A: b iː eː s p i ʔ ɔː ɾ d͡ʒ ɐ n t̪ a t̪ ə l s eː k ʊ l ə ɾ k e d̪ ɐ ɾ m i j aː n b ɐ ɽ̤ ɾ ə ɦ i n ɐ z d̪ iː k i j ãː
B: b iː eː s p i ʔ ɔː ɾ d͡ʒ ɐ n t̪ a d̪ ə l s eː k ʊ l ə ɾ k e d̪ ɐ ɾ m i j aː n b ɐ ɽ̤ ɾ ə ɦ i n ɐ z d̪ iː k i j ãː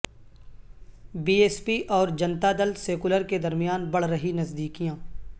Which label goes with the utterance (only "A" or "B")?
B